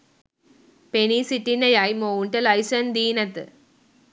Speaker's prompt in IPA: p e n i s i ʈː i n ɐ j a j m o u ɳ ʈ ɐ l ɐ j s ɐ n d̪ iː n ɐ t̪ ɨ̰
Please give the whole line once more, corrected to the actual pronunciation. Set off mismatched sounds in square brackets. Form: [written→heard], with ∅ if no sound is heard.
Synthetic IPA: p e n i s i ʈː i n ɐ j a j m o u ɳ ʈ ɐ l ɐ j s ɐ n d̪ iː n ɐ t̪ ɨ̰